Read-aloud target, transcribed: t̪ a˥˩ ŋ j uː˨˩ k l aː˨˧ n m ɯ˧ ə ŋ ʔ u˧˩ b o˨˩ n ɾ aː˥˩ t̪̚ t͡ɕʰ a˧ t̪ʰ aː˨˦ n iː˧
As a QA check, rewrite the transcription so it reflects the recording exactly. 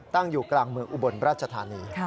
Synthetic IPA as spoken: t̪ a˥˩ ŋ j uː˨˩ k l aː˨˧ ŋ m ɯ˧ ə ŋ ʔ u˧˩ b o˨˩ n ɾ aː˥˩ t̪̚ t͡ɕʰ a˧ t̪ʰ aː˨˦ n iː˧